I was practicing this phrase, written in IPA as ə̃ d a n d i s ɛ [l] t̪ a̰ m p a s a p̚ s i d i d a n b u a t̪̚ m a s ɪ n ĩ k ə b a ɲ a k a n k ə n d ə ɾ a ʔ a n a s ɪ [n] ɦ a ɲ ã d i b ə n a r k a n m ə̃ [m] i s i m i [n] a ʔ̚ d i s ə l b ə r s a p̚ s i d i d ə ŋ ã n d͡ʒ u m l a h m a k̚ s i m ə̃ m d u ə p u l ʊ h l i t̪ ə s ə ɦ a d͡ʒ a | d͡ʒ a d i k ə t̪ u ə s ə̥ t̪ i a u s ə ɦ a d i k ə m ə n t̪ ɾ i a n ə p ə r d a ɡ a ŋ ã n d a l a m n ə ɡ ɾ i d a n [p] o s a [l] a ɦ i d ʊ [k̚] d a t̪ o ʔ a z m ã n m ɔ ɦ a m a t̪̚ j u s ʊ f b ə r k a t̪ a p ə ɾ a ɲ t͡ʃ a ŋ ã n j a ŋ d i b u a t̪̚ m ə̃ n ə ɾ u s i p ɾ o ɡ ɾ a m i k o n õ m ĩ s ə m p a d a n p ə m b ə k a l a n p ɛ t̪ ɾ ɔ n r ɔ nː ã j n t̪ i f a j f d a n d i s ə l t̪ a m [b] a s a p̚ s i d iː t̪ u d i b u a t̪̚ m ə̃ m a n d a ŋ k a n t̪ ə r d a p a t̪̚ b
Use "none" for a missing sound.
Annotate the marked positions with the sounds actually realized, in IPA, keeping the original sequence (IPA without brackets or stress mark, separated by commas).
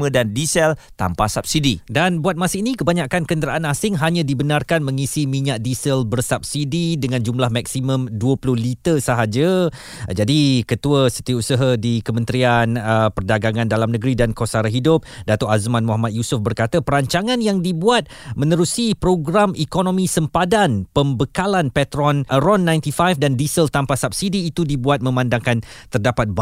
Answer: l, ŋ, ŋ, ɲ, k, ɾ, p̚, p